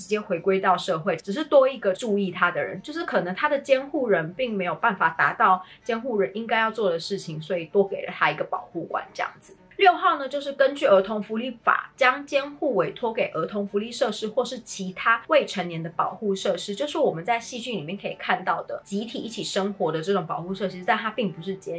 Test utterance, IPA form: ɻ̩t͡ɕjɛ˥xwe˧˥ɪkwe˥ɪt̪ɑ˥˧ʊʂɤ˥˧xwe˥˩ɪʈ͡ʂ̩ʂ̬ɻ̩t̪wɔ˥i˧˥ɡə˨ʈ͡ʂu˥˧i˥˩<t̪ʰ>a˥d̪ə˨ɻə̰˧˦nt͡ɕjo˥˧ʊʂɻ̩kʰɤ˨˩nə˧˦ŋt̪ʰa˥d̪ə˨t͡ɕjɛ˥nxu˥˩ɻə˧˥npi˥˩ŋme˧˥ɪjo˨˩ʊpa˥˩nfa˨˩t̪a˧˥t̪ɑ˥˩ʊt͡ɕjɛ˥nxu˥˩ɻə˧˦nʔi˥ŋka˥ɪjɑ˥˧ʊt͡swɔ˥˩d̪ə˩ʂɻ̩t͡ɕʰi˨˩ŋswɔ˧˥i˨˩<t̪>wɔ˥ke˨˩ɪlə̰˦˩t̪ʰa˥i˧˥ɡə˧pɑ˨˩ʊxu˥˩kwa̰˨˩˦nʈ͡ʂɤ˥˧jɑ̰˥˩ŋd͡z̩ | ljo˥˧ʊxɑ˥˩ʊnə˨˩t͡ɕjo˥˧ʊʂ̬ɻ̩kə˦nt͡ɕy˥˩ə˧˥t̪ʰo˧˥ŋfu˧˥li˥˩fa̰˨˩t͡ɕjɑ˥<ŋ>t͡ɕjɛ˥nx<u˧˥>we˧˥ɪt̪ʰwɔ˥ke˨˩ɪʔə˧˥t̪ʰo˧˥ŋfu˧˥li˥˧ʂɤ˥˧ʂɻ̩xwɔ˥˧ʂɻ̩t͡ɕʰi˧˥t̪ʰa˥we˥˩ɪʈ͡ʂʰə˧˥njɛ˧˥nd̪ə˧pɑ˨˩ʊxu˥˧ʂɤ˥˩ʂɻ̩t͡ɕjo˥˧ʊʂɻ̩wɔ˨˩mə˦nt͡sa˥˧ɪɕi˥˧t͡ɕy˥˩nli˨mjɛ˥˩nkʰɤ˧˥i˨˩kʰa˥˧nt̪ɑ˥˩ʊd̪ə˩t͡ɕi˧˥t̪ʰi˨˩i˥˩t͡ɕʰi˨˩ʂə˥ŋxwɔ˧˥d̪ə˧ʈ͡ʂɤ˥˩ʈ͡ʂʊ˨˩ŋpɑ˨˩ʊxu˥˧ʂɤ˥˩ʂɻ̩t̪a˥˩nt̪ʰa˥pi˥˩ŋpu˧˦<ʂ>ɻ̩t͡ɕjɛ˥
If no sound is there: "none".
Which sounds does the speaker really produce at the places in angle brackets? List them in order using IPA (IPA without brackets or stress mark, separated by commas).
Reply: t̪ʰ, t̪, ŋ, u˥˩, ʂ